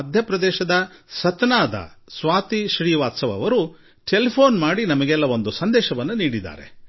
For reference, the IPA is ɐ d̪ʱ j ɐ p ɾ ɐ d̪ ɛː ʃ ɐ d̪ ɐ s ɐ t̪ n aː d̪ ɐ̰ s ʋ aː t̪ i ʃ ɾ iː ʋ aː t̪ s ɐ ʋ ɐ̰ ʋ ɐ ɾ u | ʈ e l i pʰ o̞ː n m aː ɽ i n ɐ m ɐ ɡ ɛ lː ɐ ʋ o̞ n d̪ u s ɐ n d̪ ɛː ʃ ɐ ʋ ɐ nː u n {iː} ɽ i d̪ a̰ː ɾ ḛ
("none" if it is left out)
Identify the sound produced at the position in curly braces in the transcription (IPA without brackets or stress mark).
iː